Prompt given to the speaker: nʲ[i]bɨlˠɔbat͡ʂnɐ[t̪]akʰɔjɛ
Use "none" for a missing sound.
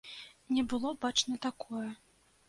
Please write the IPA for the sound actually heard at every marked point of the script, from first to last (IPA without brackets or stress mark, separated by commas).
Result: ɛ, t̪